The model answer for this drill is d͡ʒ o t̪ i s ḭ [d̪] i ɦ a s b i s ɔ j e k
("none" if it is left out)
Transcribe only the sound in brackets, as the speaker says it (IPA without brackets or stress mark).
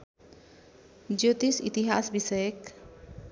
t̪